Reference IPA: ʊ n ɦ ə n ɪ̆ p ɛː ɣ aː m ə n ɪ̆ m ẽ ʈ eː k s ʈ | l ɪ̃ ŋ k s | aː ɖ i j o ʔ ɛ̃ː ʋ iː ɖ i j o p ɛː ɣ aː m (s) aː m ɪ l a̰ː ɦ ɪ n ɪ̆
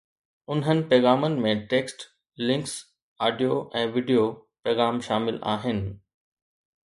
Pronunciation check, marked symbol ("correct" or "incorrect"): incorrect